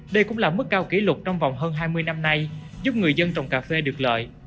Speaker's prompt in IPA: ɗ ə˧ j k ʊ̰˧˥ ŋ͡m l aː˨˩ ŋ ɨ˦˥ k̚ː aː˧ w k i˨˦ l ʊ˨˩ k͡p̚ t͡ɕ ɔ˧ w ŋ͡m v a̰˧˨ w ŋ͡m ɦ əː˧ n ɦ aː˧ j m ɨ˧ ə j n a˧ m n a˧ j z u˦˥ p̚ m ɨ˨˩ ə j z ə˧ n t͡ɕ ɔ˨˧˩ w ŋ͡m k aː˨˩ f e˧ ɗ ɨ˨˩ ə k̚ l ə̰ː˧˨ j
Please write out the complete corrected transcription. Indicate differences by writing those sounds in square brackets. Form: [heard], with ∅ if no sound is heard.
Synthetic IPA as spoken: ɗ ə˧ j k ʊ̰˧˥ ŋ͡m l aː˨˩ [m] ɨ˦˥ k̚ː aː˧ w k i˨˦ l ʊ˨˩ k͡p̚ t͡ɕ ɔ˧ w ŋ͡m v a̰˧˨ w ŋ͡m ɦ əː˧ n ɦ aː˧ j m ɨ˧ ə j n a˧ m n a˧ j z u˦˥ p̚ [ŋ] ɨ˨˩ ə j z ə˧ n t͡ɕ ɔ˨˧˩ w ŋ͡m k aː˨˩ f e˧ ɗ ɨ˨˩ ə k̚ l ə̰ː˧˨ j